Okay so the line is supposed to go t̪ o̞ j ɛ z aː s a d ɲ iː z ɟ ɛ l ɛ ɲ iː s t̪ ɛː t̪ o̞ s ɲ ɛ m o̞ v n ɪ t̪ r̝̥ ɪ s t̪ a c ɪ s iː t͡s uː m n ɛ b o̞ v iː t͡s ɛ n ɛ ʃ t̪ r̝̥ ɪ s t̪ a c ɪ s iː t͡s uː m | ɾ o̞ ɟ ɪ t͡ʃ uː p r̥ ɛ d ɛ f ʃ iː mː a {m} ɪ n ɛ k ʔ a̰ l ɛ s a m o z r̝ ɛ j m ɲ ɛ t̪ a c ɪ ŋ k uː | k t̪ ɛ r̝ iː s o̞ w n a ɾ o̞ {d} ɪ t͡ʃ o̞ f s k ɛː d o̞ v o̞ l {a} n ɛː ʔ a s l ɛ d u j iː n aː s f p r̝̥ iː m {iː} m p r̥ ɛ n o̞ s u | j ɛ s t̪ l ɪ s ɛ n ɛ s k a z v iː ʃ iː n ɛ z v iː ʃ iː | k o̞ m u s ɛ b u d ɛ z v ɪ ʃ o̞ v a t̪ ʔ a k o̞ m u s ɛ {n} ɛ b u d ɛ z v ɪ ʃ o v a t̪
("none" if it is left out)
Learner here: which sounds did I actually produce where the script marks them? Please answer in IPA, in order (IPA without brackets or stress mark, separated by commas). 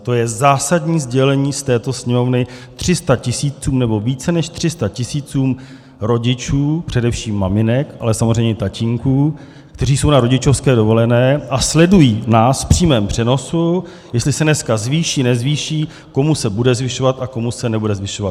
m, ɟ, ɛ, ɛː, n